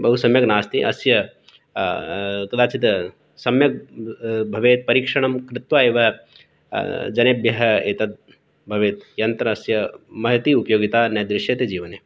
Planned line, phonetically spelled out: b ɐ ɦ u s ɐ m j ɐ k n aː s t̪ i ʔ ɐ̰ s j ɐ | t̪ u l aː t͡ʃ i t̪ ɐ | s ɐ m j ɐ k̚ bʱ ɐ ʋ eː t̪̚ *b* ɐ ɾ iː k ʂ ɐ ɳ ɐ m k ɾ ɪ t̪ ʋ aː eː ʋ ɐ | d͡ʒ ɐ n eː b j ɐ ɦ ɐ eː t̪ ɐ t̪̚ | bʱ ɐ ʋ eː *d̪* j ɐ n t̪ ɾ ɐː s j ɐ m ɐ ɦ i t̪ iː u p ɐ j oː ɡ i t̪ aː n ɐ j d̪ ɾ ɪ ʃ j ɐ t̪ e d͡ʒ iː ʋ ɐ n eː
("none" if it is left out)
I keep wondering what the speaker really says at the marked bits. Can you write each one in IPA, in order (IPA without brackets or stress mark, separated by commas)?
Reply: p, t̪